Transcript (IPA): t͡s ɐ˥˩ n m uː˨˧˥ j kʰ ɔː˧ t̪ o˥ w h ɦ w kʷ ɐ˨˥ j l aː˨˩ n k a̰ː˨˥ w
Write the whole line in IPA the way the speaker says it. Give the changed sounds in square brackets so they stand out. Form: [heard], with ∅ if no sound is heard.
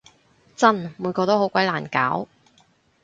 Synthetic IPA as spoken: t͡s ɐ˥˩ n m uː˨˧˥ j [k] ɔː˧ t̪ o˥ w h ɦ w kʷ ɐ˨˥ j l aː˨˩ n k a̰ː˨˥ w

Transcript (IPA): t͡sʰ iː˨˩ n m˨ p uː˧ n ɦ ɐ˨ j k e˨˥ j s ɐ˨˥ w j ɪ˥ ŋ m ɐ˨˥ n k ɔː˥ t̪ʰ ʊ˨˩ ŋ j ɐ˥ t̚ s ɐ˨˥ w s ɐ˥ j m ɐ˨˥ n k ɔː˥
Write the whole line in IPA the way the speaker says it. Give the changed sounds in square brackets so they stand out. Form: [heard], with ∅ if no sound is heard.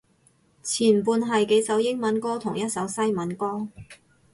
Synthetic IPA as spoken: t͡sʰ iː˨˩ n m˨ p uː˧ n ɦ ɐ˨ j k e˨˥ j s ɐ˨˥ w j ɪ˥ ŋ m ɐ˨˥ n k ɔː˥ t̪ʰ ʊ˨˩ ŋ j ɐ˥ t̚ s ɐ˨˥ w s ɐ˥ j m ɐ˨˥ n k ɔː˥

